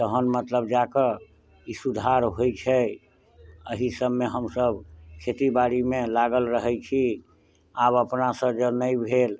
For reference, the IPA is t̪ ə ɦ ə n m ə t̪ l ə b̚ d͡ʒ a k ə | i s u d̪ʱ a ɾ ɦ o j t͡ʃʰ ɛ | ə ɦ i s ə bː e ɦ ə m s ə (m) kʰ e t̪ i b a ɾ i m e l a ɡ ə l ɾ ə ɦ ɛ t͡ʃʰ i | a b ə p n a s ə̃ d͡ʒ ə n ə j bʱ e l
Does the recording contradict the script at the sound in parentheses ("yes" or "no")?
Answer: yes